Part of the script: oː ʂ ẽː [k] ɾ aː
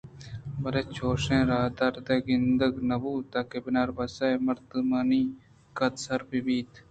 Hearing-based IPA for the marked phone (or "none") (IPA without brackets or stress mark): none